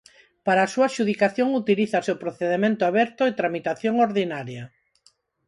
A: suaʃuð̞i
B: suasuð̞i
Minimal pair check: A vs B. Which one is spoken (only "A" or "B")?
A